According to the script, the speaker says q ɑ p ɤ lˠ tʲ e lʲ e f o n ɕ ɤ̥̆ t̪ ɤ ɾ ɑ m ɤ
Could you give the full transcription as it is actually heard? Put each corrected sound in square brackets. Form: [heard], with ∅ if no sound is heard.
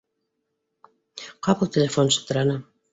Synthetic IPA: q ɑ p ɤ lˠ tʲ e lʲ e f o n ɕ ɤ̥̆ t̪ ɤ ɾ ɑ [n] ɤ